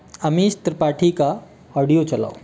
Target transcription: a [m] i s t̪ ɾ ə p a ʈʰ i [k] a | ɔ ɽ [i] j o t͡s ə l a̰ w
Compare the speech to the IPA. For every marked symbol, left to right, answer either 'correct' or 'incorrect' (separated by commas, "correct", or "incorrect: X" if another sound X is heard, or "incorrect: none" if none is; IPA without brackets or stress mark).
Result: correct, correct, correct